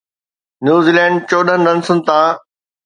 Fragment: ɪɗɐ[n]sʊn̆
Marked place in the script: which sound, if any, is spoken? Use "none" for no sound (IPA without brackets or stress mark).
n